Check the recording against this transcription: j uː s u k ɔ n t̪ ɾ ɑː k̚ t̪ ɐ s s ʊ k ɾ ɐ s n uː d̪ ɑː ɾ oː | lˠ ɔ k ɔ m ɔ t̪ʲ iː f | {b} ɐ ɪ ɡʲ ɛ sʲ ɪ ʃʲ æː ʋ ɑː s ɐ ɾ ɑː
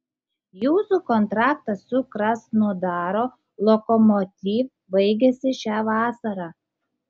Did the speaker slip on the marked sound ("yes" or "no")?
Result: no